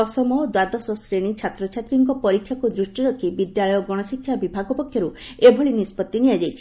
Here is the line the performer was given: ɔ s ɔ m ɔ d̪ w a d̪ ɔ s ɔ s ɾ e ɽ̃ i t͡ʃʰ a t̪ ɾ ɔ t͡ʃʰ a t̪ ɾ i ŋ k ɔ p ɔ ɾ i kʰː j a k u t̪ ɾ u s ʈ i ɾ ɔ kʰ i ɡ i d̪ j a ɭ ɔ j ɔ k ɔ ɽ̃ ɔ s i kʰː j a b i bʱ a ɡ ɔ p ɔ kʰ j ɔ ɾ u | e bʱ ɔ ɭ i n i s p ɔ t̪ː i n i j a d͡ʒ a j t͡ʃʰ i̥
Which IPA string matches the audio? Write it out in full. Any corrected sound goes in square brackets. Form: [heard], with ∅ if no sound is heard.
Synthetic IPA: ɔ s ɔ m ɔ d̪ w a d̪ ɔ s ɔ s ɾ e ɽ̃ i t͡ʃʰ a t̪ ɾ ɔ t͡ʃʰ a t̪ ɾ i ŋ k ɔ p ɔ ɾ i kʰː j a k u [d̪] ɾ u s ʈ i ɾ ɔ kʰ i [b] i d̪ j a ɭ ɔ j ɔ [ɡ] ɔ ɽ̃ ɔ s i kʰː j a b i bʱ a ɡ ɔ p ɔ kʰ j ɔ ɾ u | e bʱ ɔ ɭ i n i s p ɔ t̪ː i n i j a d͡ʒ a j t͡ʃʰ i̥